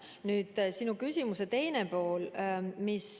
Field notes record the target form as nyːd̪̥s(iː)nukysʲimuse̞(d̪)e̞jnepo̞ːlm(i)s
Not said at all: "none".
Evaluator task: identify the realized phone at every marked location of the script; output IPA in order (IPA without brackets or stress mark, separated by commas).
i, t̪, i